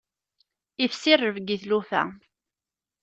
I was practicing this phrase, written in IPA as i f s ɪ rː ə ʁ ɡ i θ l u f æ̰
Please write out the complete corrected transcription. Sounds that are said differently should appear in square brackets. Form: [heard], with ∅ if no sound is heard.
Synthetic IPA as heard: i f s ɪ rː ə [v] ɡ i θ l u f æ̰